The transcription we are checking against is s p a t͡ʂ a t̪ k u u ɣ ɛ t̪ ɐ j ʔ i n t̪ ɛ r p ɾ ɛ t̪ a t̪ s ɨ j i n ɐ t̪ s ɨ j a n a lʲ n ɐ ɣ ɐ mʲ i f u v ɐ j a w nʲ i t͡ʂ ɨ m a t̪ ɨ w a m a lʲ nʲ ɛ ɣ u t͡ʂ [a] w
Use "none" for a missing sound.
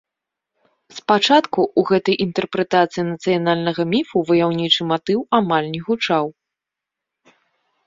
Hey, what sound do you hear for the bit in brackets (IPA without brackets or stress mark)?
a